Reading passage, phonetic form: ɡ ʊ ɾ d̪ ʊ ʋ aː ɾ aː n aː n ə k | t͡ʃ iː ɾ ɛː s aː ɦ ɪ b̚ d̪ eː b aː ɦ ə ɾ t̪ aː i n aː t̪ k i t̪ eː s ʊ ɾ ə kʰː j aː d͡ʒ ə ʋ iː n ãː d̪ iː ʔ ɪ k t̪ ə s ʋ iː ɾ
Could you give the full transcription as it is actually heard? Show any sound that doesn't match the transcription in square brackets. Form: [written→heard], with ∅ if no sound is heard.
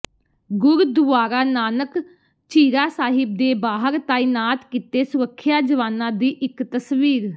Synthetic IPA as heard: ɡ ʊ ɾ d̪ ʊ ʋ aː ɾ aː n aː n ə k | t͡ʃ iː ɾ [ɛː→aː] s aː ɦ ɪ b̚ d̪ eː b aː ɦ ə ɾ t̪ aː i n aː t̪ k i t̪ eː s ʊ ɾ ə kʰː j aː d͡ʒ ə ʋ [iː→aː] n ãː d̪ iː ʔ ɪ k t̪ ə s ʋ iː ɾ